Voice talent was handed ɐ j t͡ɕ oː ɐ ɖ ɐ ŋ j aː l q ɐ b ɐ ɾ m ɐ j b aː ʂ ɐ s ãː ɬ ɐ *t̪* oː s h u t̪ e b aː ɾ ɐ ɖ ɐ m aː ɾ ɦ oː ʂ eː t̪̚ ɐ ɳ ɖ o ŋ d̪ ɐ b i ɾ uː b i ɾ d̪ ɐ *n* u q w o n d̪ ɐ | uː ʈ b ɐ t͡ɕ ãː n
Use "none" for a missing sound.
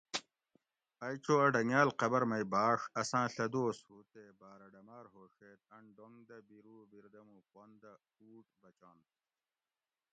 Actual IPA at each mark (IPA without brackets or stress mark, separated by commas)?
d̪, m